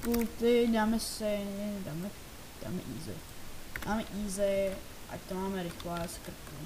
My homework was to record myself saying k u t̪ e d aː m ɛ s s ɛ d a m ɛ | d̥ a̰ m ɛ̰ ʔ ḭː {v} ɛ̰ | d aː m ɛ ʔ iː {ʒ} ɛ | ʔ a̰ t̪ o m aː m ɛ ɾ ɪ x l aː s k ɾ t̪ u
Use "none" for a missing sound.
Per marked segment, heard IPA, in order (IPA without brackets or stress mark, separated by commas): z, z